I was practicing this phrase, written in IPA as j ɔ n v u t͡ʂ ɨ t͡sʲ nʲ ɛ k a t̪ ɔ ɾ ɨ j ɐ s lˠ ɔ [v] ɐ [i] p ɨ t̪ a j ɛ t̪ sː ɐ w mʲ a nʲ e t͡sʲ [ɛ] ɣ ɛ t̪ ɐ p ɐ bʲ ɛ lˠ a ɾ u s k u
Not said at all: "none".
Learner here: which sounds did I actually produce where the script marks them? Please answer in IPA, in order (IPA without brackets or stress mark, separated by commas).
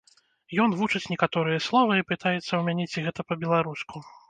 v, i, i